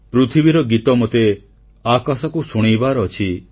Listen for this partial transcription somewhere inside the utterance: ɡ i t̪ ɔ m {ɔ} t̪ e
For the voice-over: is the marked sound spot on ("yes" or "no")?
no